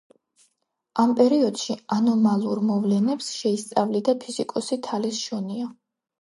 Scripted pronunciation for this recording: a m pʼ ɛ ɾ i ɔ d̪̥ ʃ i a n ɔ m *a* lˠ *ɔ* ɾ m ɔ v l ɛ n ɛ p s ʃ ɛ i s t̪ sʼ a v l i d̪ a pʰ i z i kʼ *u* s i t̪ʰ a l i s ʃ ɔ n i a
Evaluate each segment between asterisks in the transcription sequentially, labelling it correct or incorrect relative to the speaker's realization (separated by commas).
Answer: correct, incorrect, incorrect